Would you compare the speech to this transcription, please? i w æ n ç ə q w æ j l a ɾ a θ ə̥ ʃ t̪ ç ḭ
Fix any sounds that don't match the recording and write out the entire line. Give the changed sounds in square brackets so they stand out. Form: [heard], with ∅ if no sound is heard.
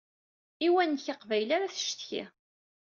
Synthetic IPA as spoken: i w æ n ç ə q [v] æ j l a ɾ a θ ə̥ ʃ t̪ ç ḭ